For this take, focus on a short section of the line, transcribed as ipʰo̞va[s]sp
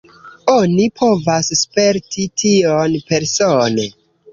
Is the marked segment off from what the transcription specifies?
no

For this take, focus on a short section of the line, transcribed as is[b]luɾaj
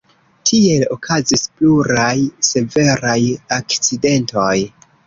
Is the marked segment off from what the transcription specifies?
yes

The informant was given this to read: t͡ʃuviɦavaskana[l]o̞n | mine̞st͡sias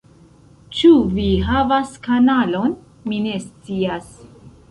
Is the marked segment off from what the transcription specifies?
no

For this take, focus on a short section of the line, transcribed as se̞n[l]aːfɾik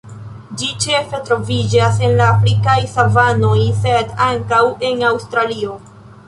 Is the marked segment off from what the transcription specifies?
no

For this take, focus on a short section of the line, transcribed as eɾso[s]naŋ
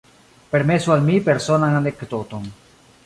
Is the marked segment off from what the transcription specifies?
yes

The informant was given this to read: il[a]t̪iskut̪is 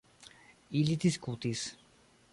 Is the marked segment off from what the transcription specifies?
yes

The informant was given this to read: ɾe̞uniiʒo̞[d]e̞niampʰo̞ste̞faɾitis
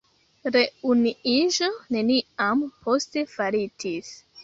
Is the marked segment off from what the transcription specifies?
yes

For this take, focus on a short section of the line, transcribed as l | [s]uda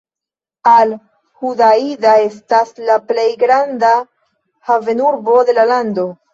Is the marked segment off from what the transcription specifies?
yes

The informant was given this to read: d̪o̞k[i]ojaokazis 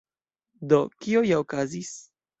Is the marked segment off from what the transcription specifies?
no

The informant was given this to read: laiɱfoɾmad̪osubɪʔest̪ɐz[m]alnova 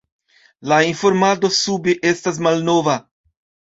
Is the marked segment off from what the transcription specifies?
no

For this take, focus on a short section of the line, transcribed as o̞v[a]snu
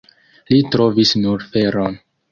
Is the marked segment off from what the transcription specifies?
yes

